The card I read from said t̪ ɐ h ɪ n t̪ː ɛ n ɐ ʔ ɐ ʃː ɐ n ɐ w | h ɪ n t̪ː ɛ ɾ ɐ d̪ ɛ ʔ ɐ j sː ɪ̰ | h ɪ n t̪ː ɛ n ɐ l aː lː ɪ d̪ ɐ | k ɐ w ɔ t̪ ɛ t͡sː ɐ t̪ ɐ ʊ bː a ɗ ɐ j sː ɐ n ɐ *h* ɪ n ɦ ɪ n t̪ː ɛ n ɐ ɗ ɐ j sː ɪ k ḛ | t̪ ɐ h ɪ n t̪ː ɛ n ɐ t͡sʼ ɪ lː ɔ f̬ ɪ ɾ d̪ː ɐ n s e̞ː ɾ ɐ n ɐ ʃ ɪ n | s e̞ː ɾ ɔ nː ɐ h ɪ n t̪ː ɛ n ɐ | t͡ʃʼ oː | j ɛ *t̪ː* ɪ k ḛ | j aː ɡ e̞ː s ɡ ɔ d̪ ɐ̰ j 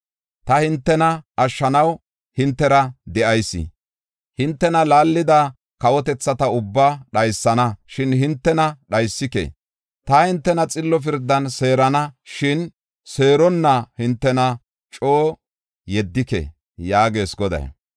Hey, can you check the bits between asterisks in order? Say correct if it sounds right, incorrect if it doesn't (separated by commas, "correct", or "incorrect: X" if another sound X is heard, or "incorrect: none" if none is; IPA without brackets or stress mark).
incorrect: ʃ, incorrect: d̪ː